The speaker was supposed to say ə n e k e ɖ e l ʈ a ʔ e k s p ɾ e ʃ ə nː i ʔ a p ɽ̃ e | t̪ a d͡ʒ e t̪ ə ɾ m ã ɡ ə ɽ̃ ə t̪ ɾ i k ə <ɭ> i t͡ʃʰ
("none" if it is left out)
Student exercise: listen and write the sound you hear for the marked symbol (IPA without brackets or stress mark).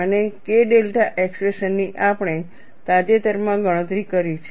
ɾ